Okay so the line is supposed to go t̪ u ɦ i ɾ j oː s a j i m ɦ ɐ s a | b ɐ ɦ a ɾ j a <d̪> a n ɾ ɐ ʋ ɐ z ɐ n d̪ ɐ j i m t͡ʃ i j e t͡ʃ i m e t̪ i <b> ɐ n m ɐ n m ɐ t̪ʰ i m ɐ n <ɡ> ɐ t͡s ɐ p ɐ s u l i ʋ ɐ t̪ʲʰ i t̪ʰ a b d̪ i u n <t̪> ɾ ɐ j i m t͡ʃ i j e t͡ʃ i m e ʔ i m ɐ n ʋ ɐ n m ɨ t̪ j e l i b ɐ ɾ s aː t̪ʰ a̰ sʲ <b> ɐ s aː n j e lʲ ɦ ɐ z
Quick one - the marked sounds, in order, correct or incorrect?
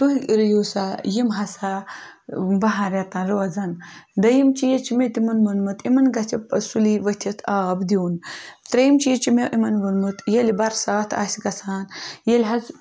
incorrect, incorrect, correct, correct, incorrect

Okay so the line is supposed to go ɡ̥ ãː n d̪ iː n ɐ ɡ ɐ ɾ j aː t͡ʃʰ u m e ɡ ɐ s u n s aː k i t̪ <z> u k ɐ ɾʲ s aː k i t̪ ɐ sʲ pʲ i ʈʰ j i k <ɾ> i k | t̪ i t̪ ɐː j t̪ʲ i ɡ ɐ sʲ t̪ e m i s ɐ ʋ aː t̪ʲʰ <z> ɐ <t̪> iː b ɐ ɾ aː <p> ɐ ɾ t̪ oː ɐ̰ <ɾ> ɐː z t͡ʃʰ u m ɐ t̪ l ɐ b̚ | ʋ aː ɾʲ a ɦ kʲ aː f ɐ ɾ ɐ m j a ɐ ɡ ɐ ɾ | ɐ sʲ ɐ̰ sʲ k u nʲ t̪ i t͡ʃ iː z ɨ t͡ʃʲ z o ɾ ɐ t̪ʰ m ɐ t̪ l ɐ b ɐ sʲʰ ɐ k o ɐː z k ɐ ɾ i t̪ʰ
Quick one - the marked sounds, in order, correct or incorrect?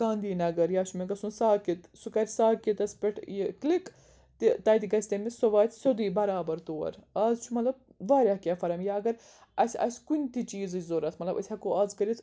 incorrect, incorrect, incorrect, incorrect, incorrect, correct

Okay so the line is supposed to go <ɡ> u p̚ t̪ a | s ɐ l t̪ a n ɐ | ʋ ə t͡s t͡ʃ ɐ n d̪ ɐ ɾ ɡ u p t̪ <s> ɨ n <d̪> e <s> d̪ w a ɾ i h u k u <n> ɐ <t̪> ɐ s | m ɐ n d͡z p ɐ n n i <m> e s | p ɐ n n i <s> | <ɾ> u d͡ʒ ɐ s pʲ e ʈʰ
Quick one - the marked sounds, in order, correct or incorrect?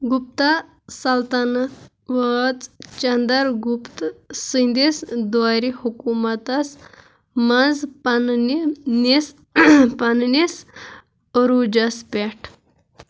correct, correct, correct, correct, incorrect, correct, incorrect, correct, correct

